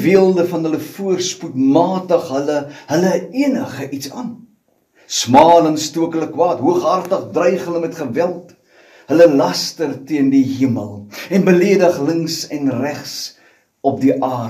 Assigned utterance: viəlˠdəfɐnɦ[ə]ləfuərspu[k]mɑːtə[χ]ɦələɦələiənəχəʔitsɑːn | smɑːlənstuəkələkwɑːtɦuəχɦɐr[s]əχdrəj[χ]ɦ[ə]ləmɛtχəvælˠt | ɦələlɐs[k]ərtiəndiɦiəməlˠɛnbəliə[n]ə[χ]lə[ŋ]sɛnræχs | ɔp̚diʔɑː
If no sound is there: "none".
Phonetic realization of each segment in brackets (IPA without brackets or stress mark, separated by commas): ə, t, χ, t, χ, ə, t, d, χ, ŋ